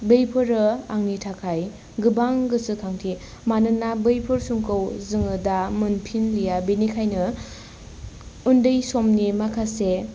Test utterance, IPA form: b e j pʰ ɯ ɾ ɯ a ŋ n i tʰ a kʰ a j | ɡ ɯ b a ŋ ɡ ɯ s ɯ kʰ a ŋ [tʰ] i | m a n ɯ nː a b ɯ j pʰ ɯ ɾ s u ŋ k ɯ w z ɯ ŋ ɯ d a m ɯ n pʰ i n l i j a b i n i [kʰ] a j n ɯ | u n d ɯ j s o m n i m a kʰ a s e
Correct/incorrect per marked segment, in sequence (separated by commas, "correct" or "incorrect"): correct, correct